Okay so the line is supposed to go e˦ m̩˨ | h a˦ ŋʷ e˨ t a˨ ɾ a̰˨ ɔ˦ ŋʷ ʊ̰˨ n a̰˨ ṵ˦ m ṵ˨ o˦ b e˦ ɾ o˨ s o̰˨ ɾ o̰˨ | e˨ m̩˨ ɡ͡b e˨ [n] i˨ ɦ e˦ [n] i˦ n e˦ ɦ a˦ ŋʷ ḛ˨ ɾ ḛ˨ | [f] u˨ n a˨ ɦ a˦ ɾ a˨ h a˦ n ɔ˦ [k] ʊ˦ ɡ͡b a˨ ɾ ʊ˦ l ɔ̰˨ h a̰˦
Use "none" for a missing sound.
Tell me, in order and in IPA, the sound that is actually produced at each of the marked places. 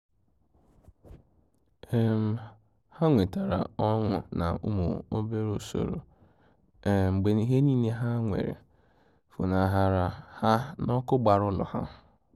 n, n, f, k

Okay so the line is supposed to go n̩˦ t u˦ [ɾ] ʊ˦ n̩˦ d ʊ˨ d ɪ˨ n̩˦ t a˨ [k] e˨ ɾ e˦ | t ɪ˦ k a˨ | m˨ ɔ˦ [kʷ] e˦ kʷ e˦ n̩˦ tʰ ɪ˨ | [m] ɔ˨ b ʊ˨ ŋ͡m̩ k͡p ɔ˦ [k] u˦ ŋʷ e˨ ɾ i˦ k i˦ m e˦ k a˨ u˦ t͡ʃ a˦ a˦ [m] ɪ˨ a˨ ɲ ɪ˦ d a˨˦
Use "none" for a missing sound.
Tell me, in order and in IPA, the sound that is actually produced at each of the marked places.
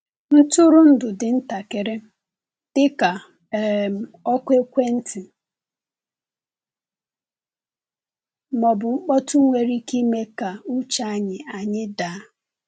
ɾ, k, kʷ, m, t, ɲ

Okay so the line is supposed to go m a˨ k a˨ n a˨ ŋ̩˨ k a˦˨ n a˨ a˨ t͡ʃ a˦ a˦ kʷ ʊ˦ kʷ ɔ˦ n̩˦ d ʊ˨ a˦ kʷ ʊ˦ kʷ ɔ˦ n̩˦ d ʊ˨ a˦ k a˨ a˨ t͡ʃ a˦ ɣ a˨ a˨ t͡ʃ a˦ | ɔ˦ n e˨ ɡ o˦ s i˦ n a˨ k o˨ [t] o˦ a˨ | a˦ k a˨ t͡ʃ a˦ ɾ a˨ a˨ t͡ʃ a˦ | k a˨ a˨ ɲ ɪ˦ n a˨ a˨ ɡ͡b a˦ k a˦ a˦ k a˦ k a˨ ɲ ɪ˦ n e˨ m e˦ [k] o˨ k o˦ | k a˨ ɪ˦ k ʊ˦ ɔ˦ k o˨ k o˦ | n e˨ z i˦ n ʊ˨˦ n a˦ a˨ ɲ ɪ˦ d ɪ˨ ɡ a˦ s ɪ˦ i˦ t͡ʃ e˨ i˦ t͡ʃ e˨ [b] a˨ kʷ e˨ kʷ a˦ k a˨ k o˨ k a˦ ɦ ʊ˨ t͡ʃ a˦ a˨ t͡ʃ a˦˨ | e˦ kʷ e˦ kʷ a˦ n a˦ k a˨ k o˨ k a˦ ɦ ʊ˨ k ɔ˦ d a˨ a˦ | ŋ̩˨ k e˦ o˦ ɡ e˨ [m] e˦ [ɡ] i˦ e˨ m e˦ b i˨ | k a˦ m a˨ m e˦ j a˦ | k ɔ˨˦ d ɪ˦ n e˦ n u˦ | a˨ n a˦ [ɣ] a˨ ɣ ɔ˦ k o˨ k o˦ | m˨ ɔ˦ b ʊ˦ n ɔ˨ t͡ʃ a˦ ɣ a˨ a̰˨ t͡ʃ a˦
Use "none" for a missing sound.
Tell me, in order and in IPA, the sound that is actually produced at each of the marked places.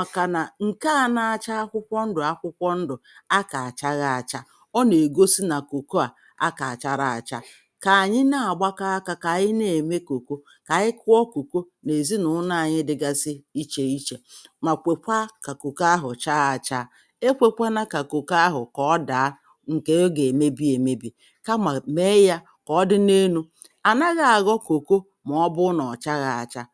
k, k, m, m, b, ɣ

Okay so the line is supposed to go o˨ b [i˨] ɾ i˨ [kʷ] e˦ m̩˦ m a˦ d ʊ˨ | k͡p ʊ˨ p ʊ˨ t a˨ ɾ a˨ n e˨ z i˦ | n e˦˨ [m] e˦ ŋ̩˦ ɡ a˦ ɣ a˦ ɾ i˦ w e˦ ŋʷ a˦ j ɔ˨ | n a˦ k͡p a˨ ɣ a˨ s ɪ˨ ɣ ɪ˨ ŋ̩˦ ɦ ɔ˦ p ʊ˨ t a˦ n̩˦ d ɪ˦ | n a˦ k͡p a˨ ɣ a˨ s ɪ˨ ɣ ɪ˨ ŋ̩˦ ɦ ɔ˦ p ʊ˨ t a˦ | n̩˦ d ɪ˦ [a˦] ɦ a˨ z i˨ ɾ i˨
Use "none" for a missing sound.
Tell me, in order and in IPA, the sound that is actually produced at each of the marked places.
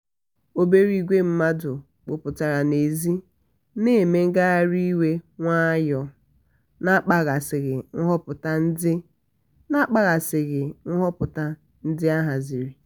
e˨, ɡʷ, m, a˦

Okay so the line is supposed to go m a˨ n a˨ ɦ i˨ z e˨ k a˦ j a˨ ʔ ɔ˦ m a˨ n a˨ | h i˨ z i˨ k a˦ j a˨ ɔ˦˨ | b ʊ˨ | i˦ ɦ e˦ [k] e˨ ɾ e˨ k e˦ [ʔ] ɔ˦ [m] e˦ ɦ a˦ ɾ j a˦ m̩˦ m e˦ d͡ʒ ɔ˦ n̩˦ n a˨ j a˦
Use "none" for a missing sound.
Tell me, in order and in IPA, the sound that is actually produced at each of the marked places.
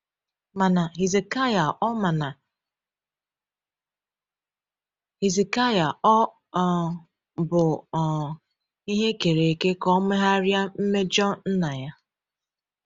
k, k, m

